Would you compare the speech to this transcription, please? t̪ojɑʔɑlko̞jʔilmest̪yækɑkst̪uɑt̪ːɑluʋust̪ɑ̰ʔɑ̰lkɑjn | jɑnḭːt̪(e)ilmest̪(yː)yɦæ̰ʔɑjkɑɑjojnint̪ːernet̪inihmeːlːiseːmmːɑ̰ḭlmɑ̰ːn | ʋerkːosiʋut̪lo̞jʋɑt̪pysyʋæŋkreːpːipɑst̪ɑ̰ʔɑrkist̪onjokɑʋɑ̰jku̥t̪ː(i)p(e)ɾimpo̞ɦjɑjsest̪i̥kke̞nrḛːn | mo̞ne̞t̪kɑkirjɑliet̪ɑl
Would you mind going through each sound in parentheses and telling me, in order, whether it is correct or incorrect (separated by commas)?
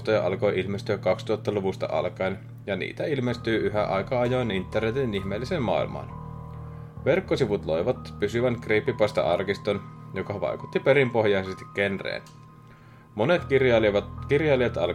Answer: incorrect, correct, correct, correct